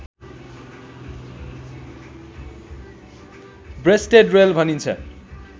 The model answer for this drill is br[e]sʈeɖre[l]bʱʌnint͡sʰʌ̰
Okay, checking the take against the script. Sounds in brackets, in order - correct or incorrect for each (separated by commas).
correct, correct